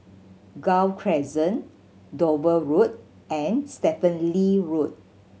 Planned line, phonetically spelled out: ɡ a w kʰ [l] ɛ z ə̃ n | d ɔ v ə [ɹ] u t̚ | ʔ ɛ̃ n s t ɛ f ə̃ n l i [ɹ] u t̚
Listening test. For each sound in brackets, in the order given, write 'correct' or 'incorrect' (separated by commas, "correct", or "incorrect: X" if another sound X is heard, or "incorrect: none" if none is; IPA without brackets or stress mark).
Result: incorrect: ɹ, correct, correct